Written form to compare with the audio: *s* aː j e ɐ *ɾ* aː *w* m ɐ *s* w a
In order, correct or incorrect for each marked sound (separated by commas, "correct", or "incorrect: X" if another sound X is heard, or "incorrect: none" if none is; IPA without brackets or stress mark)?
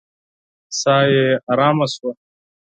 correct, correct, incorrect: none, correct